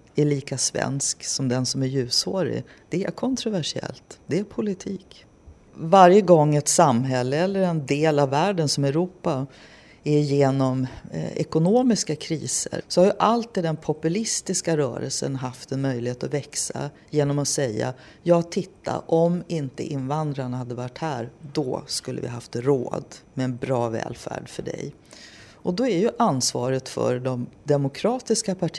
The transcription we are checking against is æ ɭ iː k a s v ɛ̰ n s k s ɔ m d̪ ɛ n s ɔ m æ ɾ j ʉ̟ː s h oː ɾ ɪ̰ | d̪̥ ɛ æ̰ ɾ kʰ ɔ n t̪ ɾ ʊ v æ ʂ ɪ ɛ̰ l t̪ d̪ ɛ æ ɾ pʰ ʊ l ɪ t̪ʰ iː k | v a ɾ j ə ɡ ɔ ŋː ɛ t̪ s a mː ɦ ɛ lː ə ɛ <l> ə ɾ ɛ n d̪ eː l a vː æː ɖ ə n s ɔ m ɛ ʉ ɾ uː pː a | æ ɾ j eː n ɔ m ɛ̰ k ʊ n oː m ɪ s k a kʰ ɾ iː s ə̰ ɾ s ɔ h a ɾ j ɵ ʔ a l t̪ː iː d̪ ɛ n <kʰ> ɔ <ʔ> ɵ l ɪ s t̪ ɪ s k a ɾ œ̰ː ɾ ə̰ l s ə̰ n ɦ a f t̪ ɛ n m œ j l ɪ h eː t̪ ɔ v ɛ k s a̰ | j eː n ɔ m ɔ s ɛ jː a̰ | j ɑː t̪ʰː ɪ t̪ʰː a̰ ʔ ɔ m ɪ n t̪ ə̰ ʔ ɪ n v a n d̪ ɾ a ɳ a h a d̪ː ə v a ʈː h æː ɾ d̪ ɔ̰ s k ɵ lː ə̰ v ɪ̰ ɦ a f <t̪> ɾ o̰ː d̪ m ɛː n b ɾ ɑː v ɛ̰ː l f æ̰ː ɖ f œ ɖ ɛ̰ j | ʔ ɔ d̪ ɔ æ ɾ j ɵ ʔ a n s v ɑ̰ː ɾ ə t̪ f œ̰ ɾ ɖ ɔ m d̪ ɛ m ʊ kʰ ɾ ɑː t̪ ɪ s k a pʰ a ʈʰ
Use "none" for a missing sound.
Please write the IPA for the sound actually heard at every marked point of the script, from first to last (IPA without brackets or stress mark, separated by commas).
lː, pʰ, p, t̪